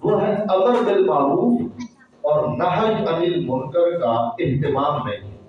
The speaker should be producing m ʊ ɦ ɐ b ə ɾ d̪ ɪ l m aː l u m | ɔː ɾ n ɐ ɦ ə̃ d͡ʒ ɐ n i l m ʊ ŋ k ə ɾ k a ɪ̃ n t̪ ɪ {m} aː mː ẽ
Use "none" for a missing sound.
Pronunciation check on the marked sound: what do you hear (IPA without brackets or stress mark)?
m